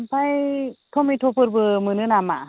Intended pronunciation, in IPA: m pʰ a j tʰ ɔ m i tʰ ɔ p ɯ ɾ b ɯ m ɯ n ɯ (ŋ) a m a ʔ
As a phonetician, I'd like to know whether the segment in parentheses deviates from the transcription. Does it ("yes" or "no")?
yes